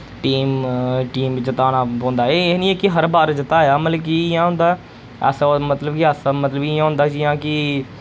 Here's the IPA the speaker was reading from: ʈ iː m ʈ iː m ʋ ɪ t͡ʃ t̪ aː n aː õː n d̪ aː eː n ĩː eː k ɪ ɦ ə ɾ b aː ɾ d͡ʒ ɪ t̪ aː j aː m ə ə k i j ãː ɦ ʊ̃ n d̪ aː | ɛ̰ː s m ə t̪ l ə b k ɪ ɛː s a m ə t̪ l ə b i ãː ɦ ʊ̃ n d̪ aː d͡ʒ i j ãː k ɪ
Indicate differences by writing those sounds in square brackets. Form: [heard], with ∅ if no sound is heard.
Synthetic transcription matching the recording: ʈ iː m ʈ iː m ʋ ɪ t͡ʃ t̪ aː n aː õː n d̪ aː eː n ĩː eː k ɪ ɦ ə ɾ b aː ɾ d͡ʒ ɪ t̪ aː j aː m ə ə k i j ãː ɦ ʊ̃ n d̪ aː | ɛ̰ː s m ə t̪ l ə b k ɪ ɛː s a m ə t̪ l ə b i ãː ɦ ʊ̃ n d̪ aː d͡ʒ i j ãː k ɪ